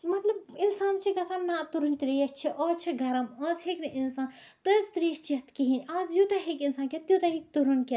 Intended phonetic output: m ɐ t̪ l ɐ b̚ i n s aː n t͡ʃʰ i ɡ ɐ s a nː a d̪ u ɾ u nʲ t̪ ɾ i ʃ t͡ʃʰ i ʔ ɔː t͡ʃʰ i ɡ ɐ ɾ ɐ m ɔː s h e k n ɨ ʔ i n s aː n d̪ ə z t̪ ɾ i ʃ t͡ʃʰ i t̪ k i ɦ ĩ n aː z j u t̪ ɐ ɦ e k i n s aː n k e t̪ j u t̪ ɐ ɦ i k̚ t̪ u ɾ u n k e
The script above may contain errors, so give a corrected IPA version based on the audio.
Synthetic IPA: m ɐ t̪ l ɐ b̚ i n s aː n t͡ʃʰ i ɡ ɐ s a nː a t̪ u ɾ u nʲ t̪ ɾ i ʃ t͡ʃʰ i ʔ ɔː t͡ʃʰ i ɡ ɐ ɾ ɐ m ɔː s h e k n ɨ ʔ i n s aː n t̪ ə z t̪ ɾ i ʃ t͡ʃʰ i t̪ k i ɦ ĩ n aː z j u t̪ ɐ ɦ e k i n s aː n k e t̪ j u t̪ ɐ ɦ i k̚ t̪ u ɾ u n k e